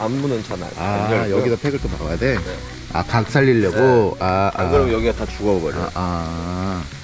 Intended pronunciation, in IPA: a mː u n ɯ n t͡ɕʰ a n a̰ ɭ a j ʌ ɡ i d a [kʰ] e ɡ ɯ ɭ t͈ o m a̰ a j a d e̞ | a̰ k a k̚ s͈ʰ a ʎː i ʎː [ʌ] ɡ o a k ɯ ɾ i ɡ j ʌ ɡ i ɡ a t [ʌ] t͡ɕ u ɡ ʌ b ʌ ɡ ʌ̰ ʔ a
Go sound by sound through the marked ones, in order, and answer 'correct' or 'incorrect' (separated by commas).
incorrect, correct, incorrect